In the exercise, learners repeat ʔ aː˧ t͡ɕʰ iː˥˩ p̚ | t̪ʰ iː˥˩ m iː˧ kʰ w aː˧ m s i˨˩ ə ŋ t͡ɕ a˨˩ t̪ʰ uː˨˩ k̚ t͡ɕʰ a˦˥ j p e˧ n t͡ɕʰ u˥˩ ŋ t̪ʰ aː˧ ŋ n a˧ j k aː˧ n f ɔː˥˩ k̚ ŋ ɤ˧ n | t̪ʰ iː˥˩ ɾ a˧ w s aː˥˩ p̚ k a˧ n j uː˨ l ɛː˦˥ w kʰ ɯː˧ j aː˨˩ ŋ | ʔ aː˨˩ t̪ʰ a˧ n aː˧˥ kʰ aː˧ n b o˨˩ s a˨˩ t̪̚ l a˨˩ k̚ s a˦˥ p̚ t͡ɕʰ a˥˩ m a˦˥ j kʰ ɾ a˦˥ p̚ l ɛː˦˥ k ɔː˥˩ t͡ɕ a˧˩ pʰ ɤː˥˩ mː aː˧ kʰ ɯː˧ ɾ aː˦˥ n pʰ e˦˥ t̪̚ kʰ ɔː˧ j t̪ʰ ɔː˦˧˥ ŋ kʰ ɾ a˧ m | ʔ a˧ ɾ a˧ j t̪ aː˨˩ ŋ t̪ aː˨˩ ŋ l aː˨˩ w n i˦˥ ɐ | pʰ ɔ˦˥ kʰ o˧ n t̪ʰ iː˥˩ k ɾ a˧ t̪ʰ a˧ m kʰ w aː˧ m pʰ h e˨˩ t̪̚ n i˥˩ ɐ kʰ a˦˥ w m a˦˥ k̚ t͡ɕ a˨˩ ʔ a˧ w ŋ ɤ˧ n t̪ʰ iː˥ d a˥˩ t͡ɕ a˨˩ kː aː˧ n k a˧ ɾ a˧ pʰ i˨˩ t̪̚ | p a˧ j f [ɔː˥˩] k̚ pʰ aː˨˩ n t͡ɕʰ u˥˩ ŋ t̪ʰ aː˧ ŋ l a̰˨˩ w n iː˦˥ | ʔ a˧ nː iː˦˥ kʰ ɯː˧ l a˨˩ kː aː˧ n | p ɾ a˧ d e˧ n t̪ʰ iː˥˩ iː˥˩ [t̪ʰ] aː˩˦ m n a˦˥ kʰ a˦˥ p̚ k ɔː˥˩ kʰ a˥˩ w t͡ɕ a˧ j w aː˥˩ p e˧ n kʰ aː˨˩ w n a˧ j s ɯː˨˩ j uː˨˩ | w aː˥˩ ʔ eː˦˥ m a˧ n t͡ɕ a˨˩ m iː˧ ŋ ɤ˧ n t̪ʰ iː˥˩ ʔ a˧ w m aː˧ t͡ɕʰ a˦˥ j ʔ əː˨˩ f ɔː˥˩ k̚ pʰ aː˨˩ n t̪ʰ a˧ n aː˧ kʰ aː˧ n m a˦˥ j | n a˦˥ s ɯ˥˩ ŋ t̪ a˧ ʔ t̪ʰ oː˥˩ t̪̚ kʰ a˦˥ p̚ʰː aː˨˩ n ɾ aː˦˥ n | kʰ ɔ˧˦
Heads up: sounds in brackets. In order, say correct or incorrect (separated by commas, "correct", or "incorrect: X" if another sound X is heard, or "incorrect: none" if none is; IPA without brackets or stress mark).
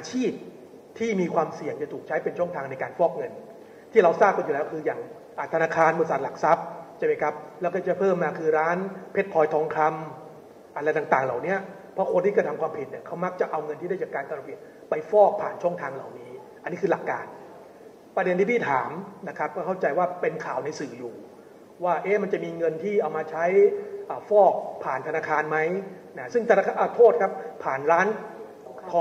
correct, correct